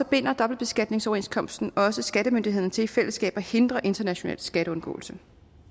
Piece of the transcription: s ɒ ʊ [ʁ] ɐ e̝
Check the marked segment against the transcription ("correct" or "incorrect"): incorrect